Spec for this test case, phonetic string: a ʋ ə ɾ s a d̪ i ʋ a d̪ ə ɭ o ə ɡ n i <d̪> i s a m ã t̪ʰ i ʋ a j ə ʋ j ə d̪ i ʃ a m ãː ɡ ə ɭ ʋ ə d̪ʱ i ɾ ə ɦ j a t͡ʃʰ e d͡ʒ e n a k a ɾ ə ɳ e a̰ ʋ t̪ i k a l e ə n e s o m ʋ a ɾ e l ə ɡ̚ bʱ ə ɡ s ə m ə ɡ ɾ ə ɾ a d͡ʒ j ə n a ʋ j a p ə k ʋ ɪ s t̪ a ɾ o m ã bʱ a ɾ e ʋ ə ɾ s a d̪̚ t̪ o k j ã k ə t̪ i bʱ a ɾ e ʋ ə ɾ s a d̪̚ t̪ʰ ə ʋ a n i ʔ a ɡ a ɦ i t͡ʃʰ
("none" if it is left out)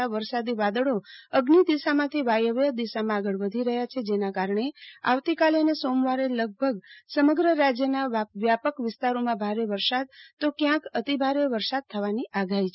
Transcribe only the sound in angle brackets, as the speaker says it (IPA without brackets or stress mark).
d̪